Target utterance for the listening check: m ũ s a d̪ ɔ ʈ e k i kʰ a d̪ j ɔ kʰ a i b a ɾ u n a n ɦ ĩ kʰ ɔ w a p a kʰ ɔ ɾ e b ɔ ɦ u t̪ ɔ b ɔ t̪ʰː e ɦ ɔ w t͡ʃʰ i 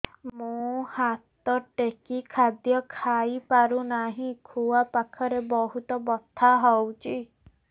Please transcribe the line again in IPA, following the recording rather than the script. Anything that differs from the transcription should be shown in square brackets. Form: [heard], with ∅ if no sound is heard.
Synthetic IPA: m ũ [h] a [t̪] ɔ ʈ e k i kʰ a d̪ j ɔ kʰ a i [p] a ɾ u n a [∅] ɦ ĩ kʰ [u] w a p a kʰ ɔ ɾ e b ɔ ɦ u t̪ ɔ b ɔ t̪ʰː [a] ɦ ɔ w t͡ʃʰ i

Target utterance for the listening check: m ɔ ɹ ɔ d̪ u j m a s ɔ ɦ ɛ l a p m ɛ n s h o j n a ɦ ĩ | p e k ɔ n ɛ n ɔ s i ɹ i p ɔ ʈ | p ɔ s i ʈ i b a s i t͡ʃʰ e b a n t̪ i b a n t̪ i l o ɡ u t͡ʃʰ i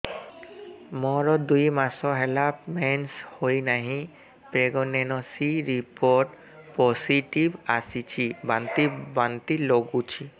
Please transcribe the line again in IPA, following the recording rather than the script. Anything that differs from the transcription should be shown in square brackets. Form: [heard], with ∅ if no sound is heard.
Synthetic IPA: m ɔ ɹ ɔ d̪ u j m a s ɔ ɦ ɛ l a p m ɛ n s h o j n a ɦ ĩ | p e [ɡ] ɔ n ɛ n ɔ s i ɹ i p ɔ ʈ | p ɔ s i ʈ i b a s i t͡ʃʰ [i] b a n t̪ i b a n t̪ i l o ɡ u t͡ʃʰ i

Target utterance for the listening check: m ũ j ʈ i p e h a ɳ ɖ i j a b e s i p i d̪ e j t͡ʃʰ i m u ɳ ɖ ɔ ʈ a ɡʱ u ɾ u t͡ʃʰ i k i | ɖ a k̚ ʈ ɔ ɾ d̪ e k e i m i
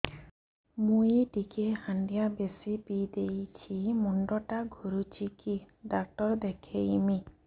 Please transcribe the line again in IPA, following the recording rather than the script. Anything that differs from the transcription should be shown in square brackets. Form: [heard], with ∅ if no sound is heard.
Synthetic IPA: m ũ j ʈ i [k] e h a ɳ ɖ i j a b e s i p i d̪ e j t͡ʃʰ i m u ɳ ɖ ɔ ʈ a ɡʱ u ɾ u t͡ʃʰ i k i | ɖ a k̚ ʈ ɔ ɾ d̪ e [kʰ] e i m i

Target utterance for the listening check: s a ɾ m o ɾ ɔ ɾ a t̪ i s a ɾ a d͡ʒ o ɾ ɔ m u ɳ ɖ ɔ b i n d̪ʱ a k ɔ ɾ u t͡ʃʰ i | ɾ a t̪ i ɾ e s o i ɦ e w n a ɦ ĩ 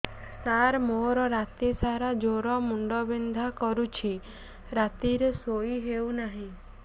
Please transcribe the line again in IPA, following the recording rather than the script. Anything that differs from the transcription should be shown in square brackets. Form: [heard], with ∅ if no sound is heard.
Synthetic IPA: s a ɾ m o ɾ ɔ ɾ a t̪ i s a ɾ a d͡ʒ o ɾ ɔ m u ɳ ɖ ɔ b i n d̪ʱ a k ɔ ɾ u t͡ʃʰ i | ɾ a t̪ i ɾ e s o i ɦ e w n a ɦ ĩ

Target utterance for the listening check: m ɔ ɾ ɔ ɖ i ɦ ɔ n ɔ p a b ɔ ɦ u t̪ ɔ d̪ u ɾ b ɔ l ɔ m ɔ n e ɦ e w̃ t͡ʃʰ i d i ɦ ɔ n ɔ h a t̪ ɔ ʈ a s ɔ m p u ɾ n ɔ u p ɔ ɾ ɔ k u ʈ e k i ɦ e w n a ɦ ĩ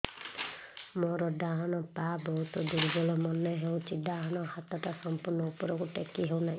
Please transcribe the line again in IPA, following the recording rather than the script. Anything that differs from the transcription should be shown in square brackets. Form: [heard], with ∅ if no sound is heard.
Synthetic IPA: m ɔ ɾ ɔ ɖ [a] ɦ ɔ n ɔ p a b ɔ ɦ u t̪ ɔ d̪ u ɾ b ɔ l ɔ m ɔ n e ɦ e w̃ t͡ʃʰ i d [a] ɦ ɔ n ɔ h a t̪ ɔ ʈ a s ɔ m p u ɾ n ɔ u p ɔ ɾ ɔ k u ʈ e k i ɦ e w n a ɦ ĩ

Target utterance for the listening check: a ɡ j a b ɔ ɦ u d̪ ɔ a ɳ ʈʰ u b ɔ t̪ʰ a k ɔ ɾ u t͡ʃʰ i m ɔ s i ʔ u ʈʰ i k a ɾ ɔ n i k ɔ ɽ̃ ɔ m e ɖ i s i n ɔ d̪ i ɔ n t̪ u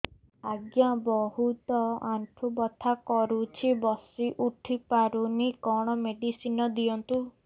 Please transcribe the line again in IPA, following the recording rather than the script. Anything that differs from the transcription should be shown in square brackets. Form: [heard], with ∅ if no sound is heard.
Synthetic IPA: a ɡ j a b ɔ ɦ u [t̪] ɔ a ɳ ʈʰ u b ɔ t̪ʰ a k ɔ ɾ u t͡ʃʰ i [b] ɔ s i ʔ u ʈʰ i [p] a ɾ [u] n i k ɔ ɽ̃ ɔ m e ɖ i s i n ɔ d̪ i ɔ n t̪ u

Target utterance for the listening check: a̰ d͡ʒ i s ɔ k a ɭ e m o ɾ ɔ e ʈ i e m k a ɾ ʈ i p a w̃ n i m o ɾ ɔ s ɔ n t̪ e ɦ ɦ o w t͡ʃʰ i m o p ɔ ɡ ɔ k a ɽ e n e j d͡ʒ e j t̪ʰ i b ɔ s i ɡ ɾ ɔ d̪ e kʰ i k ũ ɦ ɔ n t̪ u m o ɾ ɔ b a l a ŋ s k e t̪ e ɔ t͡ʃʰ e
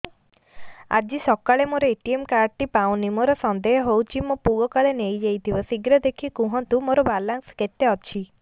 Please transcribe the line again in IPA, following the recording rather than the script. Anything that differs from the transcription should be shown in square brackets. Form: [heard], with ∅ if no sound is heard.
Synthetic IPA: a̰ d͡ʒ i s ɔ k a ɭ e m o ɾ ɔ e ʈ i e m k a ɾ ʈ i p a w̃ n i m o ɾ ɔ s ɔ n [d̪] e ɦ ɦ o w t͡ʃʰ i m o p [u] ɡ ɔ k a [ɭ] e n e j d͡ʒ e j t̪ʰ i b ɔ s i ɡ ɾ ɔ d̪ e kʰ i k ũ ɦ ɔ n t̪ u m o ɾ ɔ b a l a ŋ s k e t̪ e ɔ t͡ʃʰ [i]

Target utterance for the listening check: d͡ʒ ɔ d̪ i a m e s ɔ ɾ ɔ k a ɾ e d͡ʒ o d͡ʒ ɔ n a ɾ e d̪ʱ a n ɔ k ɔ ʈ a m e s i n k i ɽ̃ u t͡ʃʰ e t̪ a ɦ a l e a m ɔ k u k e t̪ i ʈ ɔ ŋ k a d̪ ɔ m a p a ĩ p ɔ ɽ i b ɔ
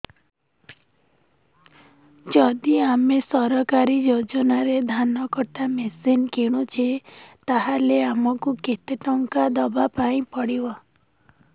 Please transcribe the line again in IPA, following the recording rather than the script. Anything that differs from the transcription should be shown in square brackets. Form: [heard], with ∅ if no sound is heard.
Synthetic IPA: d͡ʒ ɔ d̪ i a m e s ɔ ɾ ɔ k a ɾ [i] d͡ʒ o d͡ʒ ɔ n a ɾ e d̪ʱ a n ɔ k ɔ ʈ a m e s i n k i ɽ̃ u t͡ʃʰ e t̪ a ɦ a l e a m ɔ k u k e t̪ [e] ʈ ɔ ŋ k a d̪ ɔ [b] a p a ĩ p ɔ ɽ i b ɔ

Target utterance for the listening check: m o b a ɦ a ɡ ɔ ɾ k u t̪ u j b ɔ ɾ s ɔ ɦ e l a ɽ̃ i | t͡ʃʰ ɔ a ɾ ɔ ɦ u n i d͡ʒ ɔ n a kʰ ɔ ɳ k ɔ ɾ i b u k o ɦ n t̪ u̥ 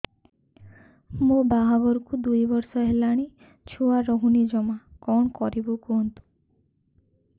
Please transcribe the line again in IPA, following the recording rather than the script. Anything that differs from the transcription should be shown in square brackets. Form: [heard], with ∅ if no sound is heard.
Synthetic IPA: m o b a ɦ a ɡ ɔ ɾ k u [d̪] u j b ɔ ɾ s ɔ ɦ e l a ɽ̃ i | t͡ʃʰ [u] a ɾ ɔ ɦ u n i d͡ʒ ɔ [m] a [k] ɔ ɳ k ɔ ɾ i b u k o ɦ n t̪ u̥

